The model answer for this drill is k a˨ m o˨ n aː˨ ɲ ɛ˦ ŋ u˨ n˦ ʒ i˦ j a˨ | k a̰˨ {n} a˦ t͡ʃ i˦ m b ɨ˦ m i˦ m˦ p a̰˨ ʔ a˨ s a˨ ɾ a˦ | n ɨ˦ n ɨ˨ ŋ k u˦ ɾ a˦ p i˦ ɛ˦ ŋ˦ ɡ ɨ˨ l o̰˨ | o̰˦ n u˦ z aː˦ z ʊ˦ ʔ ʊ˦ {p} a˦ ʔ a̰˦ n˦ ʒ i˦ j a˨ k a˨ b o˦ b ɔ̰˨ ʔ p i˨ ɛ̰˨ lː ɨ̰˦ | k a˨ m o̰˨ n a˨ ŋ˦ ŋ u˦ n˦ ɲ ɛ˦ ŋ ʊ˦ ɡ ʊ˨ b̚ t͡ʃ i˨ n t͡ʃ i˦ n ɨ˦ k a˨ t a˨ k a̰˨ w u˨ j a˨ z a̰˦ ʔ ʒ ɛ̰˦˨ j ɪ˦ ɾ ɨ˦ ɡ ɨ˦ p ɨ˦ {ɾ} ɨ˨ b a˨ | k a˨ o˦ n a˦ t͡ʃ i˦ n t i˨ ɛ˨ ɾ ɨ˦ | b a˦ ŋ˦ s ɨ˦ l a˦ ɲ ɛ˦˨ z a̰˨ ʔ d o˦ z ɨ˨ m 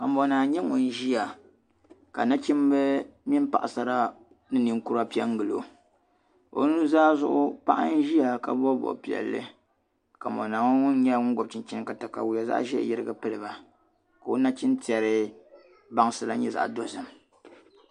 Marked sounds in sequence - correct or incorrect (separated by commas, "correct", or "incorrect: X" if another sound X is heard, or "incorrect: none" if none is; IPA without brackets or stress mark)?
correct, correct, incorrect: l